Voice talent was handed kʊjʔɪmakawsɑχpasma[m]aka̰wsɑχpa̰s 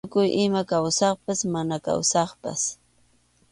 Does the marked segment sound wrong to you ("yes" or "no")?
yes